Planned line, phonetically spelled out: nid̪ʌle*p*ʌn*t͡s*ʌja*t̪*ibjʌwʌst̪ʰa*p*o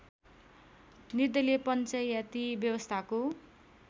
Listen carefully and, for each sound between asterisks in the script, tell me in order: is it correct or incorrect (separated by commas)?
correct, correct, correct, incorrect